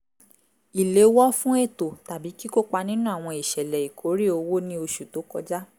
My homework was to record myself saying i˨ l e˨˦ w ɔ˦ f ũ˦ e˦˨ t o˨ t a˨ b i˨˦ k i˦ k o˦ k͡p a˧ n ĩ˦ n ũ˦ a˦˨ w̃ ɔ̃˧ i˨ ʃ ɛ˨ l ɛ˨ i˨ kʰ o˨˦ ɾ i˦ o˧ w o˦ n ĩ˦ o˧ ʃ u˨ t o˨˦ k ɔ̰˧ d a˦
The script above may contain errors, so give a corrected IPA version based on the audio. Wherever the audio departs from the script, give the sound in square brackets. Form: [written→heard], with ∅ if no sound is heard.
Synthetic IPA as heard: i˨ l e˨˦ w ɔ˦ f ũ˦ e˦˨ t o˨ t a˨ b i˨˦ k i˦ k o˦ k͡p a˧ n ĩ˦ n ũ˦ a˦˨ w̃ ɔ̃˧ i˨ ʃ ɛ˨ l ɛ˨ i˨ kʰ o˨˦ ɾ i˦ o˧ w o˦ n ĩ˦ o˧ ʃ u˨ t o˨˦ k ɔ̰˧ [d→d͡ʒ] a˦